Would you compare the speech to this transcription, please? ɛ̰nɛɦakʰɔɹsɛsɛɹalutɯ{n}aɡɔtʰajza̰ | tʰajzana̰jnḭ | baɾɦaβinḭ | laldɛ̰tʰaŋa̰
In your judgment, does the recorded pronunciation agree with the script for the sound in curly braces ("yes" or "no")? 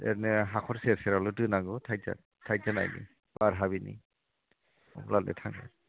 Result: yes